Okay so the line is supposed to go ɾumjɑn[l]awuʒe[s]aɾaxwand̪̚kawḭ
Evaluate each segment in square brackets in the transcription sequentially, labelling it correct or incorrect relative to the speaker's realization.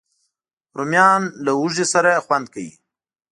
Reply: correct, correct

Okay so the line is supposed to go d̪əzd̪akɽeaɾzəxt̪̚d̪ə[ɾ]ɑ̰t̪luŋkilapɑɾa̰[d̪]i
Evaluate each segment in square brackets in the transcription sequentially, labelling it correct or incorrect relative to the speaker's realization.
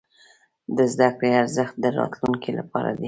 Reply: correct, correct

